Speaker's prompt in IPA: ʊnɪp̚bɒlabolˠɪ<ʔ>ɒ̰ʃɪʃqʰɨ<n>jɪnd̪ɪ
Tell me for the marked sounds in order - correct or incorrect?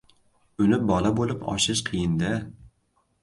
incorrect: p, incorrect: none

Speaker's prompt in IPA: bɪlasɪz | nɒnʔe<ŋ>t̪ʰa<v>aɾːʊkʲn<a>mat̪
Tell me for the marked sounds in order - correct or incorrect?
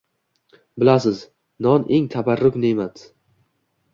correct, incorrect: b, incorrect: e

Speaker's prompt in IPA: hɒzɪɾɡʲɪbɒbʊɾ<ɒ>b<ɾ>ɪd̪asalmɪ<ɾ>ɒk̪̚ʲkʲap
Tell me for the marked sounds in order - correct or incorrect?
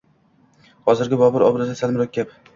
correct, correct, correct

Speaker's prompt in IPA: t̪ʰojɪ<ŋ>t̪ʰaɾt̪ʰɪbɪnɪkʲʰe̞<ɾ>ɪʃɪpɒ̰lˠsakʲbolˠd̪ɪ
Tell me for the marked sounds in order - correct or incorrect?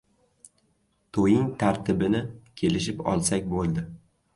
correct, incorrect: l

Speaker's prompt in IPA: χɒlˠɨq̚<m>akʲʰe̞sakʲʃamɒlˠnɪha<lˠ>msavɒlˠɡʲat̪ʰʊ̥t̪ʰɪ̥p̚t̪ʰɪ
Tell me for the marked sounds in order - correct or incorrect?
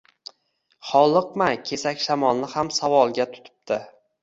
correct, incorrect: none

